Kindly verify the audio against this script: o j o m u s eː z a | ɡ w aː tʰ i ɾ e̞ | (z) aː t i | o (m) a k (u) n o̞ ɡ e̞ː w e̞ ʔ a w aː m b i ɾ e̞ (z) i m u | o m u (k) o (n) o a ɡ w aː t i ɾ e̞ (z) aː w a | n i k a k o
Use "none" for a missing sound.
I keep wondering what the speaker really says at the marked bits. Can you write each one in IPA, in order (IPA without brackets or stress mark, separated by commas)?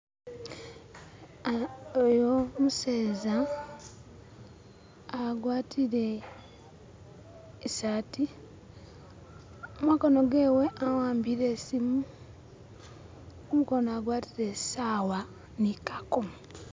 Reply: s, m, o, s, k, n, s